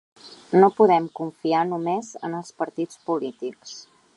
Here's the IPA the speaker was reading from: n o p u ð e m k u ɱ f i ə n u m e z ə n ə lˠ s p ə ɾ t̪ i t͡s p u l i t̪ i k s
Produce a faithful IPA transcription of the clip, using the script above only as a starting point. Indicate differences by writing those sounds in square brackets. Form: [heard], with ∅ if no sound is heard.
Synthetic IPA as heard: n o p u ð [ɛ] m k u ɱ f i [a] n u m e z ə n ə lˠ s p ə ɾ t̪ i t͡s p u l i t̪ i k s